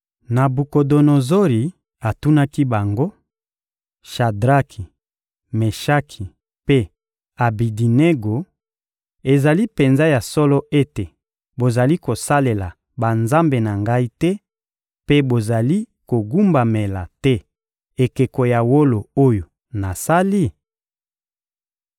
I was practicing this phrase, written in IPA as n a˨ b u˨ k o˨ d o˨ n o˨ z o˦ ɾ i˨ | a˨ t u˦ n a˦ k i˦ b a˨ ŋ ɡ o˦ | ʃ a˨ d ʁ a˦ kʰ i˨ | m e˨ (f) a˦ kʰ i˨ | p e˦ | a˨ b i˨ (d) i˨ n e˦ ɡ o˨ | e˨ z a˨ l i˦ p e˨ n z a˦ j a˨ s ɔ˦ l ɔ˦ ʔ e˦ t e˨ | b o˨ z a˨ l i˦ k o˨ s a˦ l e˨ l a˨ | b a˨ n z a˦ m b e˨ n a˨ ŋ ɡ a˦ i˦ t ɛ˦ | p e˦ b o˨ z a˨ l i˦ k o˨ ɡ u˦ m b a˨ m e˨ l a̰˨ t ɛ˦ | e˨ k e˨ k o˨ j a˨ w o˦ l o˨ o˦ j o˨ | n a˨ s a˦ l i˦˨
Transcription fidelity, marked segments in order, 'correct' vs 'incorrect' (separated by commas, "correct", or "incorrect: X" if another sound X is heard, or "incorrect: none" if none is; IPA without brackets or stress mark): incorrect: ʃ, correct